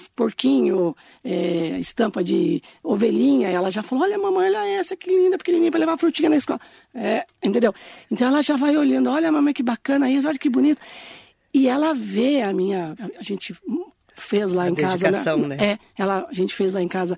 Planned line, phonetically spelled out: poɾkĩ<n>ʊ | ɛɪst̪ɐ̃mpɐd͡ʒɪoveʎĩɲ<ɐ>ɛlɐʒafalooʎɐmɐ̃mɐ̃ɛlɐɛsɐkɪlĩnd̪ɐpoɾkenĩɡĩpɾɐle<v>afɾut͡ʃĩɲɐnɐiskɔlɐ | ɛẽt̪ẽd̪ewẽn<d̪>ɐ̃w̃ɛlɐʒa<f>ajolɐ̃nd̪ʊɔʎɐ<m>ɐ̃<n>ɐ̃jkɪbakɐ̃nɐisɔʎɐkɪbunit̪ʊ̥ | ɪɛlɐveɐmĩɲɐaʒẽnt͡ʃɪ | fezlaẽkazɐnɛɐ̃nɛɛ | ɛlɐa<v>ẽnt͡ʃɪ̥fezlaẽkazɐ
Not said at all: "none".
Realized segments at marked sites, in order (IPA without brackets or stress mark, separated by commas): ɲ, ɐ, v, t̪, v, m, m, ʒ